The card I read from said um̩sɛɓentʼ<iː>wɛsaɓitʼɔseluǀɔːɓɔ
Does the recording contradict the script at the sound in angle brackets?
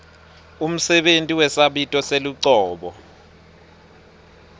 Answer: yes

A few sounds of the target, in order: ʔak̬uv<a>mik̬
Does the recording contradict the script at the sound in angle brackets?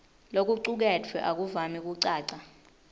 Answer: no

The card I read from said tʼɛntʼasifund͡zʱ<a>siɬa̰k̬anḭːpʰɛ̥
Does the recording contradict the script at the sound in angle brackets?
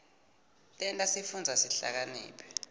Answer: no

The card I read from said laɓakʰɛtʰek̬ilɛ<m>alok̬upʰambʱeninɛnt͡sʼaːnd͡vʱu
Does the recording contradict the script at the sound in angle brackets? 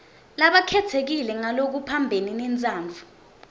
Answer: yes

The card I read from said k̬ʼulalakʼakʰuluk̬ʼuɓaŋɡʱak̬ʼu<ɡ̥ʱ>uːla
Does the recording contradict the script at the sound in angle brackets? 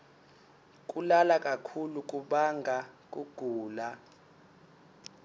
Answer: no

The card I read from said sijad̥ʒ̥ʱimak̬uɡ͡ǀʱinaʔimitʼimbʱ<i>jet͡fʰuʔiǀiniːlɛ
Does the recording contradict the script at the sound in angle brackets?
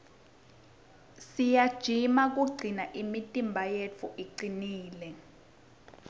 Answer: yes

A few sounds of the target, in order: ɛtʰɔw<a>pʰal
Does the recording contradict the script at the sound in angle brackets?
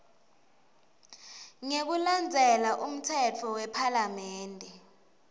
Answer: yes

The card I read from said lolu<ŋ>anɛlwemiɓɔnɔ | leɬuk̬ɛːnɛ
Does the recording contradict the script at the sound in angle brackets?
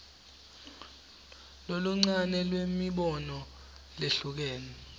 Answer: yes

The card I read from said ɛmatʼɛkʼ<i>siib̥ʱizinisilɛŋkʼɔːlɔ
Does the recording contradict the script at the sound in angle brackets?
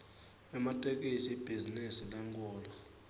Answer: no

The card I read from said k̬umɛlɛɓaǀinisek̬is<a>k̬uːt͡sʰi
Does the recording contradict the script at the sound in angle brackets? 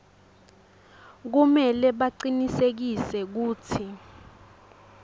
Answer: yes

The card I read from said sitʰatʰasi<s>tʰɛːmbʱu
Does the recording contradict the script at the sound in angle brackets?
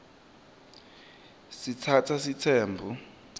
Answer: yes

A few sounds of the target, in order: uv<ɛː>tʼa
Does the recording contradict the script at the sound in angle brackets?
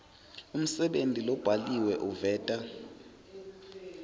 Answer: no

